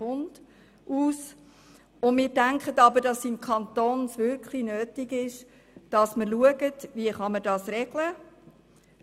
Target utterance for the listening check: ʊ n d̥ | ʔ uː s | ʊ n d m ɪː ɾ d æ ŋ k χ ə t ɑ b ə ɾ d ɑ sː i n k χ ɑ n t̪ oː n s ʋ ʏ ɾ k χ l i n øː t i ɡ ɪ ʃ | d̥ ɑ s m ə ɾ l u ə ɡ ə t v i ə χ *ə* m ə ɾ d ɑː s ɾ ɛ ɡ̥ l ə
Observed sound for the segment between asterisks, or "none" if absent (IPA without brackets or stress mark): ɑ